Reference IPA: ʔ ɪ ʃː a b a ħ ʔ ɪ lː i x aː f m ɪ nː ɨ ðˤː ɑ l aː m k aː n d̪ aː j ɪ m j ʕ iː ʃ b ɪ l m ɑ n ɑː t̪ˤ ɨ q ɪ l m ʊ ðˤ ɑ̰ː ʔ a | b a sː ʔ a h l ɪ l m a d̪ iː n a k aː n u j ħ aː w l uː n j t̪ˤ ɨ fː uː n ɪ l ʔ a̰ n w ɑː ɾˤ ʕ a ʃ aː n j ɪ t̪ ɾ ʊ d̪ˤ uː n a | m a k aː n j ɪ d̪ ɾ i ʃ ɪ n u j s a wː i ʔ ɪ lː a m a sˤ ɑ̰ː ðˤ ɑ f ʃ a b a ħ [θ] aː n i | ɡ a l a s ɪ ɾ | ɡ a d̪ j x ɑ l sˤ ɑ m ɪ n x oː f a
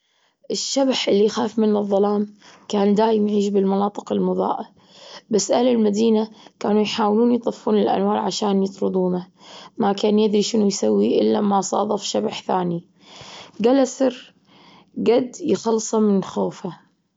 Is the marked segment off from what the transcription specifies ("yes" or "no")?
no